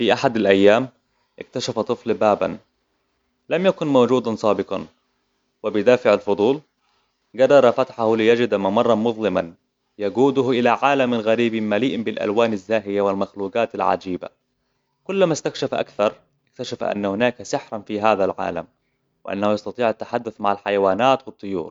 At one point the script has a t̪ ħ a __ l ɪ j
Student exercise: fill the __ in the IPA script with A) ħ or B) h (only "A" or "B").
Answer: B